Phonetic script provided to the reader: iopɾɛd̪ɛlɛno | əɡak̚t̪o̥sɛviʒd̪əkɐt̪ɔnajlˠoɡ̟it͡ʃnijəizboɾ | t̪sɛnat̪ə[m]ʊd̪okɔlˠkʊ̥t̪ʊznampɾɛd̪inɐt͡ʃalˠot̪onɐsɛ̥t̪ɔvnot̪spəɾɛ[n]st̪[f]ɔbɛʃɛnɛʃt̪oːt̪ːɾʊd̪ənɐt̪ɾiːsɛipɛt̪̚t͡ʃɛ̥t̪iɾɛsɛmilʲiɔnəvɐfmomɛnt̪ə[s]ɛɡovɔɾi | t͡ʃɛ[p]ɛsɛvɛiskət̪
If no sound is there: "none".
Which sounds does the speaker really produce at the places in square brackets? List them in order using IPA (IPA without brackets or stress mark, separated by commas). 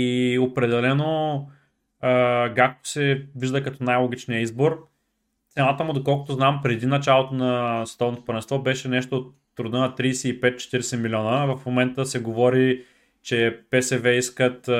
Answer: m, n, v, s, p